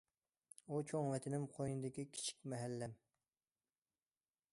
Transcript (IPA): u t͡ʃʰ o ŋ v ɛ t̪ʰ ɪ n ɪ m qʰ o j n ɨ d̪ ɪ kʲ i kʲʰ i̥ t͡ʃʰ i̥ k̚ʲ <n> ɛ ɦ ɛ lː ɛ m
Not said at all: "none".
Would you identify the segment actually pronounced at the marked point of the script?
m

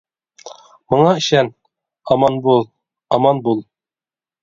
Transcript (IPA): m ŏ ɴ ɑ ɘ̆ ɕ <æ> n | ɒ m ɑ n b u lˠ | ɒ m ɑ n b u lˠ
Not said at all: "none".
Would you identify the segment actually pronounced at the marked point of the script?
æ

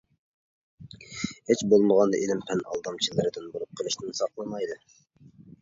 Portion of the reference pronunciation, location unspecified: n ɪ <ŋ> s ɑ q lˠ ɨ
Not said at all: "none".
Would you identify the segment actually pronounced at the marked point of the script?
n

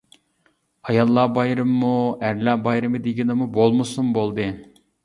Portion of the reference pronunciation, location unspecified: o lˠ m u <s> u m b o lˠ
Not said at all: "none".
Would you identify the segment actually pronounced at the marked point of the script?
s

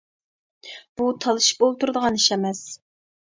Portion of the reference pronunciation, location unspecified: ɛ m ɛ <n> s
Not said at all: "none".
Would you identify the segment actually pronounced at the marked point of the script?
none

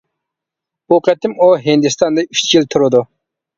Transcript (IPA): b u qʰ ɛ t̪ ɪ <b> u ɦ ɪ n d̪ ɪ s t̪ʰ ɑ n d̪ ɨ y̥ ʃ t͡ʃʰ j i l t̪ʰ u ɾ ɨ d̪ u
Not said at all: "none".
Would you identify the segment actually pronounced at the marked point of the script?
m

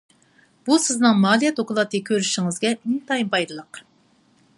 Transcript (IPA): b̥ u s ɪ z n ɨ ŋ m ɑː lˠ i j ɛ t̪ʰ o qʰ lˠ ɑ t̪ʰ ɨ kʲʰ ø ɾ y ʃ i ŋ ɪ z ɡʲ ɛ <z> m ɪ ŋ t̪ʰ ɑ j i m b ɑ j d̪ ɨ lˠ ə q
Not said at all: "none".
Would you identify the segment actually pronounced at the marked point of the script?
none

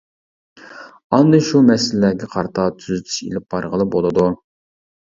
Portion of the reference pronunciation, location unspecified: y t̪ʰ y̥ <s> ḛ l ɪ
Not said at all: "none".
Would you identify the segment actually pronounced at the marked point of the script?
ʃ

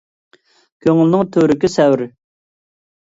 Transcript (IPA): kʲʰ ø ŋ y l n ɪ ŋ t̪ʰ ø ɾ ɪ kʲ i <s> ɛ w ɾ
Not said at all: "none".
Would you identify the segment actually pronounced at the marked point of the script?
s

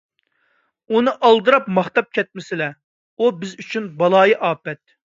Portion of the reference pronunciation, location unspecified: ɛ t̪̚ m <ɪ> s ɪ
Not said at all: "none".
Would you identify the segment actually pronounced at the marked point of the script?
ɪ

